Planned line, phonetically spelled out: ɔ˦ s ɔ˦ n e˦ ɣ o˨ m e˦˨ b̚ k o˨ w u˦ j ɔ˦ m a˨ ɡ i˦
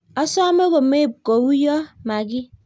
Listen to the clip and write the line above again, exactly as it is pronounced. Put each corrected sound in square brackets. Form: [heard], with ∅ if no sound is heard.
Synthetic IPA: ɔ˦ s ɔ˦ [m] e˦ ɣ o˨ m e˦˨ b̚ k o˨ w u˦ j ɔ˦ m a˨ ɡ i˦